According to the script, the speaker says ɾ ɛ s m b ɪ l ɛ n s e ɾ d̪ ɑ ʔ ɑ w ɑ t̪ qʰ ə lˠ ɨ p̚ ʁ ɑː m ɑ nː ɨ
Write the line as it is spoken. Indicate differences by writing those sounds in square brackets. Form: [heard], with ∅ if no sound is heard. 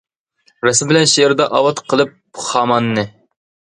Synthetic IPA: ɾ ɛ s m b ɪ l ɛ n [ʃ] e ɾ d̪ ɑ ʔ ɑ w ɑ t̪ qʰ ə lˠ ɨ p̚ [χ] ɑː m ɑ nː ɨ